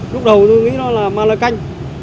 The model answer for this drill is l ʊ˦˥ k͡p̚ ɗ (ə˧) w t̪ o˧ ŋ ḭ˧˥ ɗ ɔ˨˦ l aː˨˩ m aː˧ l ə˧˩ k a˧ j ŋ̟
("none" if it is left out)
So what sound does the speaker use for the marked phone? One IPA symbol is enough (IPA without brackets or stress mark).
ə˨˩